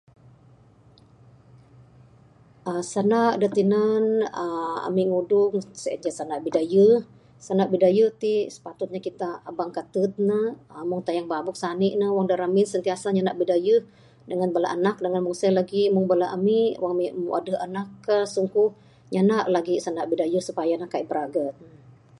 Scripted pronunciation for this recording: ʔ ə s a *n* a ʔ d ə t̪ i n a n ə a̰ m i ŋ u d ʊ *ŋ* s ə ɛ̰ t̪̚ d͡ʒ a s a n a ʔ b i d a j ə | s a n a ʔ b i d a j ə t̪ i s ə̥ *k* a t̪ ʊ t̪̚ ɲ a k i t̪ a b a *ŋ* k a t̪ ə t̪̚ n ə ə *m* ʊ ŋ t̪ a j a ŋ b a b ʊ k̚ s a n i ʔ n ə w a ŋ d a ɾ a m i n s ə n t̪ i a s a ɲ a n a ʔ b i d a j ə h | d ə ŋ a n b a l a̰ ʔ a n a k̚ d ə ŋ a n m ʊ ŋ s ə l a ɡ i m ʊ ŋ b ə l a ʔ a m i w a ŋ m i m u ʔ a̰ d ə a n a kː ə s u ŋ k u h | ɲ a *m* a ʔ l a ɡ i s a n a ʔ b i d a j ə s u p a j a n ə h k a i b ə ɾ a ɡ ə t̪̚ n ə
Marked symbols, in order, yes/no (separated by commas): yes, yes, no, yes, yes, no